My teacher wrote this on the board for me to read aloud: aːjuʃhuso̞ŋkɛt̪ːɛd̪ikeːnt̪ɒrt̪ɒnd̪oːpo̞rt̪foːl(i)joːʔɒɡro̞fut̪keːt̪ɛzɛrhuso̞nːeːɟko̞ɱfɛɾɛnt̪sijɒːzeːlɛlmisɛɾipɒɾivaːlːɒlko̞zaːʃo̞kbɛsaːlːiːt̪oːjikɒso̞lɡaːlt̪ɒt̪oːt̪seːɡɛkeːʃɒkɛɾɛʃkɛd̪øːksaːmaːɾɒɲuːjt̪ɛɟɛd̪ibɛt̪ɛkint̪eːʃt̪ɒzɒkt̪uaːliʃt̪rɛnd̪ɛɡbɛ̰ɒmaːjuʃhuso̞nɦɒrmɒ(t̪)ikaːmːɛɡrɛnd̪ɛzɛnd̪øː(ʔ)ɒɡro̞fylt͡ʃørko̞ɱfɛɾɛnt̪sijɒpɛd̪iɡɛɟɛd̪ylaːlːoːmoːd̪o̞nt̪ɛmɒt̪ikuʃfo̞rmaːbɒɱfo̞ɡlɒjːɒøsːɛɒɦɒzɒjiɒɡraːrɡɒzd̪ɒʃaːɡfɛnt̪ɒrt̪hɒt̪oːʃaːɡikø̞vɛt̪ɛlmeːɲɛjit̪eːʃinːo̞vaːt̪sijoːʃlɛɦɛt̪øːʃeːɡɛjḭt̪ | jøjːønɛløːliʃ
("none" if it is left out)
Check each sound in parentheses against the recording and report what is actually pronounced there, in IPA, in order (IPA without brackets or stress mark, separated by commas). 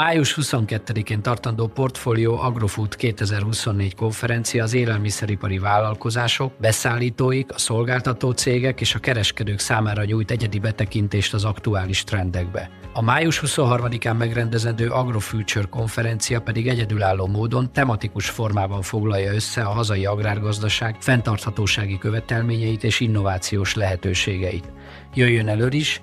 i, d̪, ʔ